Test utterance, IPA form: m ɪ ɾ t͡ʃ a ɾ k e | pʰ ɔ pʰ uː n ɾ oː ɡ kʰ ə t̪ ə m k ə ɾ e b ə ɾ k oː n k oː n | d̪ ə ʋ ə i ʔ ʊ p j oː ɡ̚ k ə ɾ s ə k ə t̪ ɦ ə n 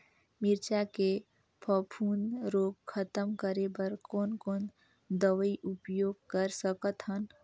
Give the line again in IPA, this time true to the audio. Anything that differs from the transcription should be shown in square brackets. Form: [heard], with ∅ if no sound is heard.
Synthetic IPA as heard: m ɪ ɾ t͡ʃ a [∅] k e | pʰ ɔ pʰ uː n ɾ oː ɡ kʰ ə t̪ ə m k ə ɾ e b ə ɾ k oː n k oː n | d̪ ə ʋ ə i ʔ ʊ p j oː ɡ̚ k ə ɾ s ə k ə t̪ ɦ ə n